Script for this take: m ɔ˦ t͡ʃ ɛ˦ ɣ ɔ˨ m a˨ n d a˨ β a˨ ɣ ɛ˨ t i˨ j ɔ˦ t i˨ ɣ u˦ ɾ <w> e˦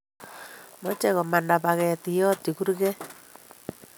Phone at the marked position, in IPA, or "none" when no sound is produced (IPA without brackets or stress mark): ɣ